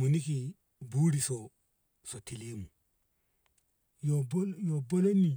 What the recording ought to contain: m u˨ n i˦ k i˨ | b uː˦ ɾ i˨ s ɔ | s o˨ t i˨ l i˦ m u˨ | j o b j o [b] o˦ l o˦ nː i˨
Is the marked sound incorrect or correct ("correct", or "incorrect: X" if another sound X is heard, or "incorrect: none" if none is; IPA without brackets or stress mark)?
correct